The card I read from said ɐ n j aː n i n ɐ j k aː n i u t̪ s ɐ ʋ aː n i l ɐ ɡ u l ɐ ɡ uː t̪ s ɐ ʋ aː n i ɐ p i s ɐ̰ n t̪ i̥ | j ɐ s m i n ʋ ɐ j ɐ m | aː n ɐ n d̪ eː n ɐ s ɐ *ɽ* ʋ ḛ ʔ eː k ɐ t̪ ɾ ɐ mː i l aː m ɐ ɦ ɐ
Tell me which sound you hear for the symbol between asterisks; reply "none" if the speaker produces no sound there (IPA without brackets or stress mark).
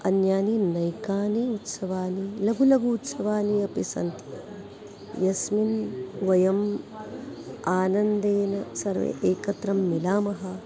ɾ